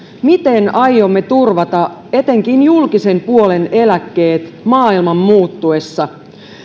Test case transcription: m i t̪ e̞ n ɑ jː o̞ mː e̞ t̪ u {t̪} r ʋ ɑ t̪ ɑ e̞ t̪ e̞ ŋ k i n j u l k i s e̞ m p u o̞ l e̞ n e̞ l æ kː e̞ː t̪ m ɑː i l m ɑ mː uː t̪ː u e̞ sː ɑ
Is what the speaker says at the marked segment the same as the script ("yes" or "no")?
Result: no